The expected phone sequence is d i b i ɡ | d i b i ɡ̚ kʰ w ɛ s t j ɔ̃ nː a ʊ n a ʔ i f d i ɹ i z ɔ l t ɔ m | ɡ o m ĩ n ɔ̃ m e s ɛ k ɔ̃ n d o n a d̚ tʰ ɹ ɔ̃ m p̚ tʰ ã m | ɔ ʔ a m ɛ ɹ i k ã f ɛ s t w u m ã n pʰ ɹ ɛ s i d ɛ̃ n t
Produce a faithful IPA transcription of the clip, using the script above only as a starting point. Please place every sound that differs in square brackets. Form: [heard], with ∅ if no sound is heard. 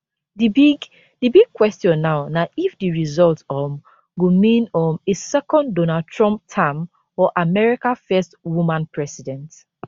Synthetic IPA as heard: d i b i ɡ | d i b i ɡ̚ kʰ w ɛ s t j ɔ̃ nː a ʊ n a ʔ i f d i ɹ i z ɔ l t ɔ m | ɡ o m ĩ n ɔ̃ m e s ɛ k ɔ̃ n d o n a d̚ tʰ ɹ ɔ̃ m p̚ tʰ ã m | ɔ ʔ a m ɛ ɹ i k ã f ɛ s t w u m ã n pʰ ɹ ɛ s i d ɛ̃ n t